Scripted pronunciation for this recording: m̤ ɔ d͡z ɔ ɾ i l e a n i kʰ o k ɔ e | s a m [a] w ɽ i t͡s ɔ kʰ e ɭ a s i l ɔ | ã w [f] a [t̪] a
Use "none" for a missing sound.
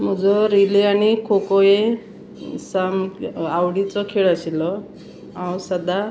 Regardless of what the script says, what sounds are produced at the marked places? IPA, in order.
a, s, d̪

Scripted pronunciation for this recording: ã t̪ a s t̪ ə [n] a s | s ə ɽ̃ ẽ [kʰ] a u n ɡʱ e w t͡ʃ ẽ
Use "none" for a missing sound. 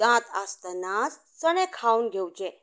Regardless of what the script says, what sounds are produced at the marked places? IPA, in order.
n, kʰ

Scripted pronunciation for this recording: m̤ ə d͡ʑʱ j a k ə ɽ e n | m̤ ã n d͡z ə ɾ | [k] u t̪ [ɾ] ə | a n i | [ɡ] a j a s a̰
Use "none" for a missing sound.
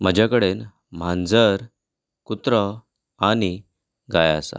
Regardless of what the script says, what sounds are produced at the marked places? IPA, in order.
k, ɾ, ɡ

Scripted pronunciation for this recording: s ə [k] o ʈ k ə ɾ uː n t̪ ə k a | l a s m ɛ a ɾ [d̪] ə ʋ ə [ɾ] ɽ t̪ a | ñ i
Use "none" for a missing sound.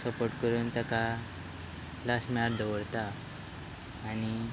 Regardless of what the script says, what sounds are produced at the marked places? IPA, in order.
p, d̪, none

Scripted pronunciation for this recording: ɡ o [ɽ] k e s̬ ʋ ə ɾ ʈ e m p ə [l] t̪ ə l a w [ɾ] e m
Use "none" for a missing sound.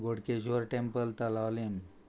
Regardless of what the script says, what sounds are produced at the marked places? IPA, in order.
ɽ, l, l

